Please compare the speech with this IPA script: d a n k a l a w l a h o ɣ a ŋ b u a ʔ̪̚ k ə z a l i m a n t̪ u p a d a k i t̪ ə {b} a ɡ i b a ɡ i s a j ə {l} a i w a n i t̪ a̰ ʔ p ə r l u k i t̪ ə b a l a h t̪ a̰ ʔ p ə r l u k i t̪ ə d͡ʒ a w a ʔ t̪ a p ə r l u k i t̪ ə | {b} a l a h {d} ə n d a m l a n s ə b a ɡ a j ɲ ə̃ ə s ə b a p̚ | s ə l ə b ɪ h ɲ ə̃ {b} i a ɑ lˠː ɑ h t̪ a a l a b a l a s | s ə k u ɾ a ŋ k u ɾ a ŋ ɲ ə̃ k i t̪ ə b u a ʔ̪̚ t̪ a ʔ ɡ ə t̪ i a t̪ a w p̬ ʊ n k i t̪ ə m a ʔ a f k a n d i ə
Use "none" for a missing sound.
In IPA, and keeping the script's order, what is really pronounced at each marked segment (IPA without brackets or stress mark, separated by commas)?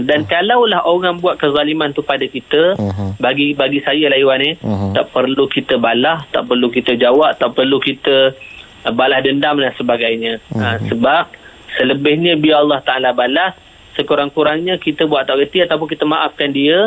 b, l, b, d, b